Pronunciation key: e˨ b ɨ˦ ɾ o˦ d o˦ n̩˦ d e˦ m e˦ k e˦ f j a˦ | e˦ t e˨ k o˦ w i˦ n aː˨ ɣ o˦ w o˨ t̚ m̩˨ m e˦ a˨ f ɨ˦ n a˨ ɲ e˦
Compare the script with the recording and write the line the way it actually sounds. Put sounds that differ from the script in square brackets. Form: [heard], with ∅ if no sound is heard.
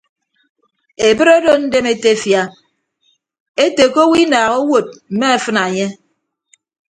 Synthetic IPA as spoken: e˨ b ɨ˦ ɾ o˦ d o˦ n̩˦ d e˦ m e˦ [t] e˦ f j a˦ | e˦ t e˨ k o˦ w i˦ n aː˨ ɣ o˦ w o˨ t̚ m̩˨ m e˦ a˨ f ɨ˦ n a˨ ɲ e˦